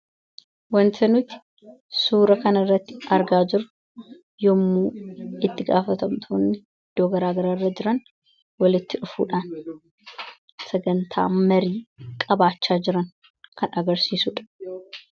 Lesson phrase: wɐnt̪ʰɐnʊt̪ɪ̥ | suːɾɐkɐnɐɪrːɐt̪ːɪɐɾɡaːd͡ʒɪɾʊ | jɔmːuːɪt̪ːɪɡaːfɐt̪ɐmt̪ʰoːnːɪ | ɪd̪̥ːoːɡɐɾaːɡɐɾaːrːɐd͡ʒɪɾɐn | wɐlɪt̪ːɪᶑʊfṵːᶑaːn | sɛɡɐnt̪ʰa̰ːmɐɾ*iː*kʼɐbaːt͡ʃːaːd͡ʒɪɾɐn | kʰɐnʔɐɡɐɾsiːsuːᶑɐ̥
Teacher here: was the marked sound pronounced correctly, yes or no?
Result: yes